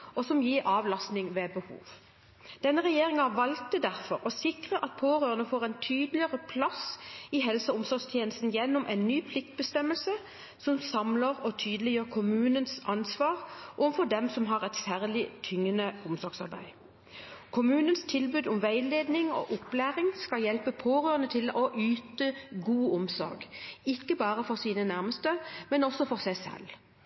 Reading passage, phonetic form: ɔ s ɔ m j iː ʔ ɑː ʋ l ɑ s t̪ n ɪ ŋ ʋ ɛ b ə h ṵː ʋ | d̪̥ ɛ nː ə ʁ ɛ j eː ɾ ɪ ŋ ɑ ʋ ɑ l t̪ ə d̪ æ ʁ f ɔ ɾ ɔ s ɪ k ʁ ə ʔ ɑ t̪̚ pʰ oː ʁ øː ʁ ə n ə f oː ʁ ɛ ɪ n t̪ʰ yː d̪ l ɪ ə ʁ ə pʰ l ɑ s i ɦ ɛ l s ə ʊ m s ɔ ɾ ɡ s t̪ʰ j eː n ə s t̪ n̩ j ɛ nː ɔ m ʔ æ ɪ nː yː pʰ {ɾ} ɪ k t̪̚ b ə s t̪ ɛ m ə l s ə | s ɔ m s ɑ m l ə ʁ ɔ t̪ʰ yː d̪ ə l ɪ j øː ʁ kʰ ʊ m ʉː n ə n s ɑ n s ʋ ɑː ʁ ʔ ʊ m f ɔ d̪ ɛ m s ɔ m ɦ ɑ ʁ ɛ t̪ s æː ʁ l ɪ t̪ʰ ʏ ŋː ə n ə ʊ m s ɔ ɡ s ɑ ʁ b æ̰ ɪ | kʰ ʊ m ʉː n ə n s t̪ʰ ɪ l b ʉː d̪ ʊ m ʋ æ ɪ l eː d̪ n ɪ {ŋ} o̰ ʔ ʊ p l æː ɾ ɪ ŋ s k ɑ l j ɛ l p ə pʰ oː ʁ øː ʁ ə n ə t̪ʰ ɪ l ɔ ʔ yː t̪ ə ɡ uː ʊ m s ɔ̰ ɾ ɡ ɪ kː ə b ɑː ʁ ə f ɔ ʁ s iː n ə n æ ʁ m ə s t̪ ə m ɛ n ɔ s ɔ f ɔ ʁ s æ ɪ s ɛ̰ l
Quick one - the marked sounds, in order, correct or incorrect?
incorrect, correct

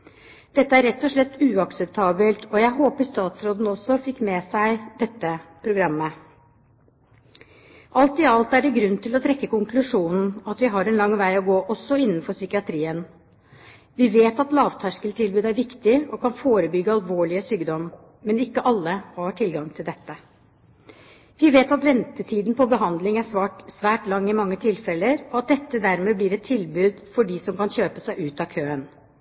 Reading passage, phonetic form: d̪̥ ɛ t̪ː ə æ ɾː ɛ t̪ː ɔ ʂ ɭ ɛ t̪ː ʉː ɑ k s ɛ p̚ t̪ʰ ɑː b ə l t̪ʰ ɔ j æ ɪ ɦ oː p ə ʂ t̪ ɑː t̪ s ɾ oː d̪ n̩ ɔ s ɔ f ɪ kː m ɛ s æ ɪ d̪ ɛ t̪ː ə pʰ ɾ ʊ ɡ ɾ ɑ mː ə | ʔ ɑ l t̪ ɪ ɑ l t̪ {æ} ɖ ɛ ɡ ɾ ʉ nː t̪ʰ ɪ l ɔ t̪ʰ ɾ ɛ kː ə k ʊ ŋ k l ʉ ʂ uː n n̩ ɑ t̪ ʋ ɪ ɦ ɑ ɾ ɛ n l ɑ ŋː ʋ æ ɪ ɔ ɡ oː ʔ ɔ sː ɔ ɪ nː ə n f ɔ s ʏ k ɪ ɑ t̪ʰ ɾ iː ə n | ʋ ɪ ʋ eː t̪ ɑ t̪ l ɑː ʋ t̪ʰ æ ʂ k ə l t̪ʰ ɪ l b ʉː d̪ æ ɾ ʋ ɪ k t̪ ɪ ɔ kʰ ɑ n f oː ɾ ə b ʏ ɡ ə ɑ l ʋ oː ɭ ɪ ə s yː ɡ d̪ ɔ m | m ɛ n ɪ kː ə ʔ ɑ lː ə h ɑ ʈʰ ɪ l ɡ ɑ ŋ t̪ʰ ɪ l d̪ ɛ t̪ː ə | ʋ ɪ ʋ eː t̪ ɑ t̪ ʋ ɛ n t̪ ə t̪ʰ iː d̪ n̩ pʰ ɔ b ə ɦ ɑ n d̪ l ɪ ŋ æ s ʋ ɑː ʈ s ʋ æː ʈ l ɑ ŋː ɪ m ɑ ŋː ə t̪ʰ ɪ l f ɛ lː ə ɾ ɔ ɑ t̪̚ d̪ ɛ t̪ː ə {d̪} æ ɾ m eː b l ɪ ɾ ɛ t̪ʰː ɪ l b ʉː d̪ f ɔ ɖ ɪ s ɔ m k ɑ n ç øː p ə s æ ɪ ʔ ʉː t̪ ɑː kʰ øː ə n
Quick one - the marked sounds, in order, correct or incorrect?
correct, correct

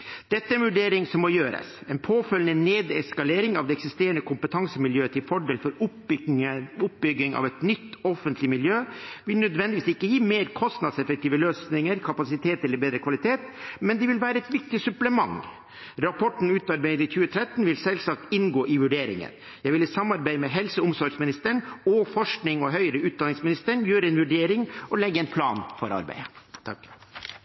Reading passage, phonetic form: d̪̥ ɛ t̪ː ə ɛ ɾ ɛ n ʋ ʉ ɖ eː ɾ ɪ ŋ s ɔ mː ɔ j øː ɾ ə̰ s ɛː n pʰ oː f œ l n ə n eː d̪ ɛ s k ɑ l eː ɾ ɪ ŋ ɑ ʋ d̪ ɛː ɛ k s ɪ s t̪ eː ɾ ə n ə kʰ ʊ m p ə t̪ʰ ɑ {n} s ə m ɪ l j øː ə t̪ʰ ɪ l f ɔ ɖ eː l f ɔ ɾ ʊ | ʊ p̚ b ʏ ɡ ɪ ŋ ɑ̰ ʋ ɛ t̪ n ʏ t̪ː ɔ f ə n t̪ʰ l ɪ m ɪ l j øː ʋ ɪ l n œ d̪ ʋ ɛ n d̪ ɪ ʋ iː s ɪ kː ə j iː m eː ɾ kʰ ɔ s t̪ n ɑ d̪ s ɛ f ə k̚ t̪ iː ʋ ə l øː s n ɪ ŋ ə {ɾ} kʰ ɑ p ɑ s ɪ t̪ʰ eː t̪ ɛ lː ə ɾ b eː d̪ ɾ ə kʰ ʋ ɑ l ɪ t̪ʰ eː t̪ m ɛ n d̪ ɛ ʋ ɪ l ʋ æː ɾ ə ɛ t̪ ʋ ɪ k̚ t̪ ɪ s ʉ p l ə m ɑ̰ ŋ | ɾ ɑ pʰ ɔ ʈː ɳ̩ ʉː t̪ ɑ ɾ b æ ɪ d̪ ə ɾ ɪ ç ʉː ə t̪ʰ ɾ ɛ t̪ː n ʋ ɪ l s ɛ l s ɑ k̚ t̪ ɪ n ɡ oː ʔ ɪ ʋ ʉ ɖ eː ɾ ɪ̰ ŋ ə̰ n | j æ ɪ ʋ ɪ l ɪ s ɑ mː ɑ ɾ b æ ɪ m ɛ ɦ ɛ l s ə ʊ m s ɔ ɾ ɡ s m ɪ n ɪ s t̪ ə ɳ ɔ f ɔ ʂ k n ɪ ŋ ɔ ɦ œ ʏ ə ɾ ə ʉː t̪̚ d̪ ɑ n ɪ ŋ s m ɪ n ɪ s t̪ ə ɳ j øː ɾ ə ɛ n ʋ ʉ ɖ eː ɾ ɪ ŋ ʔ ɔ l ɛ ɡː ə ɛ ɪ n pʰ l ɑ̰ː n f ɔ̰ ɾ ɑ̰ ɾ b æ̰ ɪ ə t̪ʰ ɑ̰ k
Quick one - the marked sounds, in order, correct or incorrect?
incorrect, correct

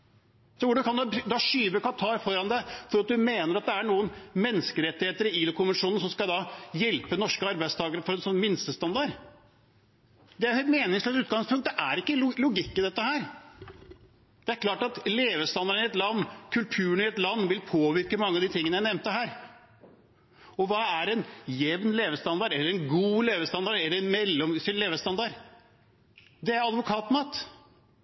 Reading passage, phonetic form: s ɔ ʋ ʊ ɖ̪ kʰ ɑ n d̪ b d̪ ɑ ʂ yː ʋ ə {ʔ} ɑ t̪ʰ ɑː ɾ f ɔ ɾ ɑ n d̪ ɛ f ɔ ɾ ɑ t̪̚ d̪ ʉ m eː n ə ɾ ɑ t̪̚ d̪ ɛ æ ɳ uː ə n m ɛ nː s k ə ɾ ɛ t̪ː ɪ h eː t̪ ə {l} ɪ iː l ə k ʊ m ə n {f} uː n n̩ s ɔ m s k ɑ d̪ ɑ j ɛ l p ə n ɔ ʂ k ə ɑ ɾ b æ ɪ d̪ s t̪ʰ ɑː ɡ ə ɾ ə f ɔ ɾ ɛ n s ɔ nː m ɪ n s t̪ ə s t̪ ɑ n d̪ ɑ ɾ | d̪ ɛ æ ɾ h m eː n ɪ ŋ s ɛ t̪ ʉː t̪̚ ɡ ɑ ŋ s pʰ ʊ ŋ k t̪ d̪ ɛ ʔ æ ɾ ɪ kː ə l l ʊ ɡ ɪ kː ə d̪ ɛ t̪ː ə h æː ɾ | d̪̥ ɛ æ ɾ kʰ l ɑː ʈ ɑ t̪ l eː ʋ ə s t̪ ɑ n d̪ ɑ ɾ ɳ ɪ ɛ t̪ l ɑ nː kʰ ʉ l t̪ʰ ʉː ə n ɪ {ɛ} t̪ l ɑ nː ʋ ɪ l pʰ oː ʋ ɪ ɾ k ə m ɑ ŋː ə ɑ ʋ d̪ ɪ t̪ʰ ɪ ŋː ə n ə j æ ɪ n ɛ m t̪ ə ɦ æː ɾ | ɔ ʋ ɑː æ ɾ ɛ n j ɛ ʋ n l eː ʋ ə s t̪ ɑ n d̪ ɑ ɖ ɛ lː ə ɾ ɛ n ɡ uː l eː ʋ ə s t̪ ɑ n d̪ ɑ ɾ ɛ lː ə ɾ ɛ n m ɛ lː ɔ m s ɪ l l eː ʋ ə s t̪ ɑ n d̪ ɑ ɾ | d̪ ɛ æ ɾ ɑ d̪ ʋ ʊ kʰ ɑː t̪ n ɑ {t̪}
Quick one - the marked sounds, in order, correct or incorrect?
incorrect, incorrect, incorrect, correct, correct

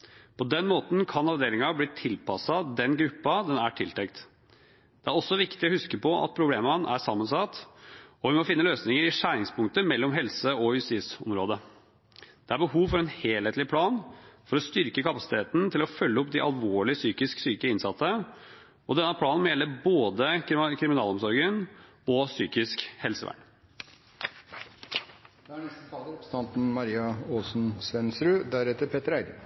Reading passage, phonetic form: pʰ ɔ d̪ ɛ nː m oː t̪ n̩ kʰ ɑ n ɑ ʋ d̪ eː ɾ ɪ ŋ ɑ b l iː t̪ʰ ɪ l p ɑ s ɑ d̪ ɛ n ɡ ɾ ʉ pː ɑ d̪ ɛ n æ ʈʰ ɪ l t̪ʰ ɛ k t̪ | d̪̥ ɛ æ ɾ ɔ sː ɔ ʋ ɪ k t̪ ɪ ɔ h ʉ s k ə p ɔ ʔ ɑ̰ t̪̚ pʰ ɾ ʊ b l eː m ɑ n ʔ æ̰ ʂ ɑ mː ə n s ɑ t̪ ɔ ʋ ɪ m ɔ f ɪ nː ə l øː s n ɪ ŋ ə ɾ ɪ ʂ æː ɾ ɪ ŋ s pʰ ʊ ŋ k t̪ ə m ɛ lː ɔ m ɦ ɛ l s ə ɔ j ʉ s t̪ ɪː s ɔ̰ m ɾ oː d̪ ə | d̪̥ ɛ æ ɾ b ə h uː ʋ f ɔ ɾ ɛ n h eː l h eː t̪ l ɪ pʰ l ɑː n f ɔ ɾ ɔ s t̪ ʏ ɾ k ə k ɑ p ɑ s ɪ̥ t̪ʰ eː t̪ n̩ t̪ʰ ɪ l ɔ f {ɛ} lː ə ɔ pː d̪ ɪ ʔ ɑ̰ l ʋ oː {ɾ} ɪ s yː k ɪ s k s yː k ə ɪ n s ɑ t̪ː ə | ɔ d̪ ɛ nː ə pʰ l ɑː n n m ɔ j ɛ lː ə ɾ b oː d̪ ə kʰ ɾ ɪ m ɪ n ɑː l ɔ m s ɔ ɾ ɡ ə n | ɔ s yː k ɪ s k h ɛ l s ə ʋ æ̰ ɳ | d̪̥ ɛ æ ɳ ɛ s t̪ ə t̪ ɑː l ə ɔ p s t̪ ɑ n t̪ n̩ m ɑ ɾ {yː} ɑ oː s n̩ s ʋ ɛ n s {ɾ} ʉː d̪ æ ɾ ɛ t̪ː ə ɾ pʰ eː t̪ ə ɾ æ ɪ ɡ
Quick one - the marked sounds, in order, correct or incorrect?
incorrect, incorrect, incorrect, correct

